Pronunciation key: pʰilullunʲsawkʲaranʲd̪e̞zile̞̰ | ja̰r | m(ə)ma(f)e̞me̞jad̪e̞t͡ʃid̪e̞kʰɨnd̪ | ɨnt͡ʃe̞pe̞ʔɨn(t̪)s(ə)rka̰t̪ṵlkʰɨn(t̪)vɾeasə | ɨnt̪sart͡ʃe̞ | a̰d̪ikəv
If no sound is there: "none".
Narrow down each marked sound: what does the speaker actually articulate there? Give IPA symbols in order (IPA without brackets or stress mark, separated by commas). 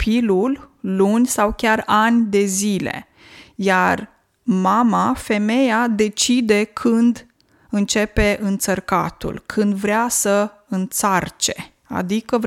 a, f, t̪, ə, d̪